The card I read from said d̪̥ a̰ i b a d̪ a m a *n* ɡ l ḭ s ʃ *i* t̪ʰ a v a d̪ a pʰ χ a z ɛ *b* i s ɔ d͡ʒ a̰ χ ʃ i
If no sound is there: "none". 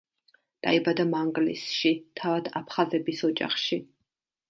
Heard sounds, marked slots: ŋ, i, b

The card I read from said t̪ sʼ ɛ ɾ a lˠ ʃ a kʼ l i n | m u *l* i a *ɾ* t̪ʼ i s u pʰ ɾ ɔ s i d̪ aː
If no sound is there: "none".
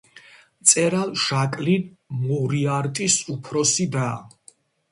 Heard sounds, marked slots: ɾ, ɾ

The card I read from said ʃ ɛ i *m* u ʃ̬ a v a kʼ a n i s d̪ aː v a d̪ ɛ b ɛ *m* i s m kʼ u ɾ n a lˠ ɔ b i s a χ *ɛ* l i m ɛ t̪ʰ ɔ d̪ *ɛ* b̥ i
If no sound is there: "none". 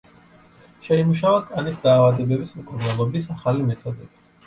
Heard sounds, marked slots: m, b, a, ɛ

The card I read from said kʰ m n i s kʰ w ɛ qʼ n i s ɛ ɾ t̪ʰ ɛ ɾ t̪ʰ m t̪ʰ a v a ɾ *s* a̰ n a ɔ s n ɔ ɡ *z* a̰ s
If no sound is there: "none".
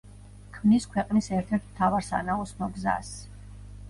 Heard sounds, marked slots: s, z

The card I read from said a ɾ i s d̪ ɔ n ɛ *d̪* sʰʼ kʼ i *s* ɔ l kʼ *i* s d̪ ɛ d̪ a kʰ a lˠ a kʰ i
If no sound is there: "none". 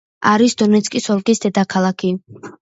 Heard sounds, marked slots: t̪, s, i

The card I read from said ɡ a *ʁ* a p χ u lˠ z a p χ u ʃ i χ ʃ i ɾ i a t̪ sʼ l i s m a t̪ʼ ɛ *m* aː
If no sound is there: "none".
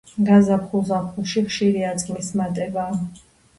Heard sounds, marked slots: z, b

